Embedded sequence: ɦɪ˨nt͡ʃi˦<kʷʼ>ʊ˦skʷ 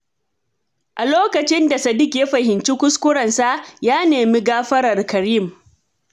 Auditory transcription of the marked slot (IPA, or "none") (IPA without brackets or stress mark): kʷ